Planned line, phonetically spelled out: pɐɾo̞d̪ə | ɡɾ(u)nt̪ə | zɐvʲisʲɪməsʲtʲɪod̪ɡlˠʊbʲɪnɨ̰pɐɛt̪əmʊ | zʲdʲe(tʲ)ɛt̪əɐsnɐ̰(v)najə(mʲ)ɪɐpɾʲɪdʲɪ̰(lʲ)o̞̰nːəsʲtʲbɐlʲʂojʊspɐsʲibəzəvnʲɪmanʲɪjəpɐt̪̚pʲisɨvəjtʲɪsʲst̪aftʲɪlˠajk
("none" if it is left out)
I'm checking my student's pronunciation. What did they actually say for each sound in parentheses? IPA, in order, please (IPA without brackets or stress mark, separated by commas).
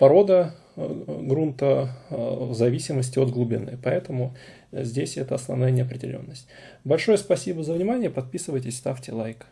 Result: u, sʲ, v, nʲ, lʲ